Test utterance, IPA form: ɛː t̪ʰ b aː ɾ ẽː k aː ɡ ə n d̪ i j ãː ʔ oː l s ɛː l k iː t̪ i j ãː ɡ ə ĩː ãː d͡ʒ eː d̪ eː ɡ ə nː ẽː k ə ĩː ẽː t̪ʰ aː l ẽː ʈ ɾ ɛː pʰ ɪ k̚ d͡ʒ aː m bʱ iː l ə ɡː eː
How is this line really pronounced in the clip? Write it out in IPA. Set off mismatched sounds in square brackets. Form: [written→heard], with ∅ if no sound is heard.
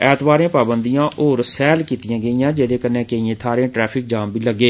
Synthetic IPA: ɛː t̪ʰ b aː ɾ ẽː [k→p] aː [ɡ→b] ə n d̪ i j ãː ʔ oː [l→ɾ] s ɛː l k iː t̪ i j ãː ɡ ə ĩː ãː d͡ʒ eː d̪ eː [ɡ→k] ə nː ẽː k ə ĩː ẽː t̪ʰ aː [l→ɾ] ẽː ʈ ɾ ɛː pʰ ɪ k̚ d͡ʒ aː m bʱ iː l ə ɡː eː